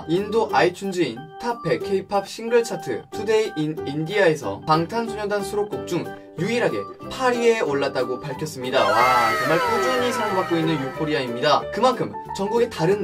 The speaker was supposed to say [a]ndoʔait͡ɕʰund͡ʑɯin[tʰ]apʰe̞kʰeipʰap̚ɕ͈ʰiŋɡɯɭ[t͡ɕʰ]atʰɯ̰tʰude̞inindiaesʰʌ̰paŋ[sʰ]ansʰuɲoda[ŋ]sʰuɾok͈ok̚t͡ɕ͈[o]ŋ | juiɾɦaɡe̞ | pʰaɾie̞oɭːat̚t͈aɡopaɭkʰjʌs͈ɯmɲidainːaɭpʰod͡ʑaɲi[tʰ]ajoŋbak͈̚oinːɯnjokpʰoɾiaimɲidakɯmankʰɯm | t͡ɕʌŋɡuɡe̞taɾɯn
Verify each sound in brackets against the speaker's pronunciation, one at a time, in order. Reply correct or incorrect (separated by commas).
incorrect, correct, correct, incorrect, incorrect, incorrect, incorrect